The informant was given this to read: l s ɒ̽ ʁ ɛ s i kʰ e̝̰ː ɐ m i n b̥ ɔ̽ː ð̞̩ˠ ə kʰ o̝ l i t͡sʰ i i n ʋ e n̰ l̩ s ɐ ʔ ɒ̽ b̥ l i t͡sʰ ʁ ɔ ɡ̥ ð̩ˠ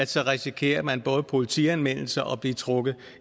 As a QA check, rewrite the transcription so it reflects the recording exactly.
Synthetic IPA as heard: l s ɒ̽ ʁ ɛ s i kʰ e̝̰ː ɐ m æ n b̥ ɔ̽ː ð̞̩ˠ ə pʰ o̝ l i t͡sʰ i æ n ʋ e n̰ l̩ s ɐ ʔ ɒ̽ b̥ l i t͡sʰ ʁ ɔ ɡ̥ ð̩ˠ